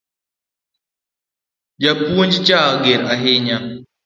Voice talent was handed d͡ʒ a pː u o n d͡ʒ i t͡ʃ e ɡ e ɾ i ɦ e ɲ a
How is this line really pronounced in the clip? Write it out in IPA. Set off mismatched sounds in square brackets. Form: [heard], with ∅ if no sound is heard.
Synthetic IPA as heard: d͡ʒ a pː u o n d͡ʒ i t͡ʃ [a] ɡ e ɾ [a] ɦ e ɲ a